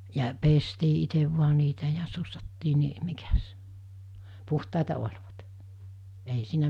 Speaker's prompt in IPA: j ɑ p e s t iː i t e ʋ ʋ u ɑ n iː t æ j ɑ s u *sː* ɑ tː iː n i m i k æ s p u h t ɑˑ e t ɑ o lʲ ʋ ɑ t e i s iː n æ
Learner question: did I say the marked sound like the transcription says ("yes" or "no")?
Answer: yes